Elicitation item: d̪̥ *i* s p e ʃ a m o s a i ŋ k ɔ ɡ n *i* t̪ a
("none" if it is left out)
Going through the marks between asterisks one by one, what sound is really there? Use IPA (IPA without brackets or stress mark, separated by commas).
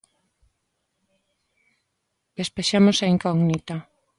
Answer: e, i